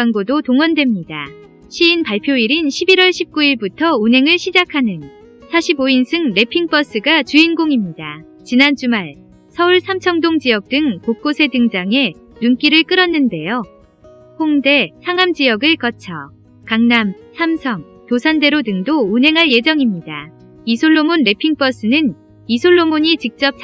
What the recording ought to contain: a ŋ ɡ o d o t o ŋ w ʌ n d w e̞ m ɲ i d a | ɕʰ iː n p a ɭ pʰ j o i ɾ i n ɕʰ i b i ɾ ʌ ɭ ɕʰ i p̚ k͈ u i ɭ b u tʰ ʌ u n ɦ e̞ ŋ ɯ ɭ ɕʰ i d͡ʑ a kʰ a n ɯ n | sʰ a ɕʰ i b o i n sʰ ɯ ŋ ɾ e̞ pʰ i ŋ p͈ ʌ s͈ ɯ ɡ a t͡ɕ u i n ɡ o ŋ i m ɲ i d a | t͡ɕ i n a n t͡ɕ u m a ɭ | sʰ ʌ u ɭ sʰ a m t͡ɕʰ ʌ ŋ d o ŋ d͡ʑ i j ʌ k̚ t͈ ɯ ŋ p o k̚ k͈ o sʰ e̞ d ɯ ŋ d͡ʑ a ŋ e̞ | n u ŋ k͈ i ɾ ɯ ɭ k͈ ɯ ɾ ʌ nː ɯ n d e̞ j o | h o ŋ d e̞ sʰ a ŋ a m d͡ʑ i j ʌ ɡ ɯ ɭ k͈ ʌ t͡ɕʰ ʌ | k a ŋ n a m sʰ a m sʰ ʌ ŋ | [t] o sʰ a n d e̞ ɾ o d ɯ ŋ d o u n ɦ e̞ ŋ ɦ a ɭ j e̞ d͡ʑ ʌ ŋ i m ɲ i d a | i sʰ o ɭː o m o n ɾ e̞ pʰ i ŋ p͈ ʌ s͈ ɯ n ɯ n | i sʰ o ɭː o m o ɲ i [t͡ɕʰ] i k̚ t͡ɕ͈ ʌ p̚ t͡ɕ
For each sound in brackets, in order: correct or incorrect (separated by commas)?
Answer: correct, incorrect